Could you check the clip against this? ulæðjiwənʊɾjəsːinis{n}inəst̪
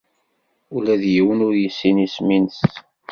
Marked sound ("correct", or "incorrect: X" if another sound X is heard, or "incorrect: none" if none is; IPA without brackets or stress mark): incorrect: m